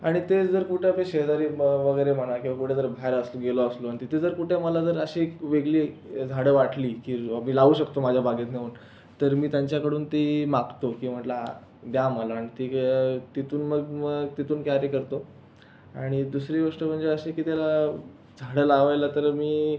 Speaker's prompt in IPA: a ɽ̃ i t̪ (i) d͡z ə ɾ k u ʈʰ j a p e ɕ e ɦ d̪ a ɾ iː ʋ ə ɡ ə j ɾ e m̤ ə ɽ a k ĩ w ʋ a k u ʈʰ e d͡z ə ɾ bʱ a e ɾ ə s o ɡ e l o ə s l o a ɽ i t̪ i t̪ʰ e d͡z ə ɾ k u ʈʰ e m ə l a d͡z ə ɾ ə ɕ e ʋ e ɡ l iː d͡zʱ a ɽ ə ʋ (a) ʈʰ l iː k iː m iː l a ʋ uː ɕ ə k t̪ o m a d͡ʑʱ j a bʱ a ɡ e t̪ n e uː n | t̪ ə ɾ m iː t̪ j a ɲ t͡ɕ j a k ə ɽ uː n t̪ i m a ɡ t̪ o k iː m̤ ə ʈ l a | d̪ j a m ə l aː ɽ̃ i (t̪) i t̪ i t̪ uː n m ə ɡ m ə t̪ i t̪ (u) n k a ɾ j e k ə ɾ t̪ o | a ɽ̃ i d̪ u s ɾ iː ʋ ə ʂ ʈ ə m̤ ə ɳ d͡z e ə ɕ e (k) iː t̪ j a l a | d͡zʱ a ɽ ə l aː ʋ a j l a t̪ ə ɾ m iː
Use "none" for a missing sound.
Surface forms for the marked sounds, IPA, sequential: e, a, t̪, uː, k

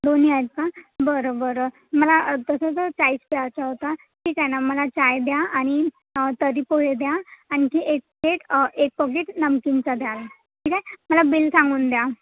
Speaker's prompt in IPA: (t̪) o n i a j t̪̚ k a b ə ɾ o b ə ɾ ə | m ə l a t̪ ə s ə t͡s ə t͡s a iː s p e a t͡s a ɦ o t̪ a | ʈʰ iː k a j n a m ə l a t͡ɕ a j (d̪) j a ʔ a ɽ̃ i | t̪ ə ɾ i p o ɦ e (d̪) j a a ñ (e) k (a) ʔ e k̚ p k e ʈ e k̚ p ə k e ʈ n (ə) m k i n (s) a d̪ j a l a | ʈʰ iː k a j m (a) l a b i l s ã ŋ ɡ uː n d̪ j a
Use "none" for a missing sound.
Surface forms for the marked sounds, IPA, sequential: d̪, d̪, d̪, i, i, ə, t͡s, ə

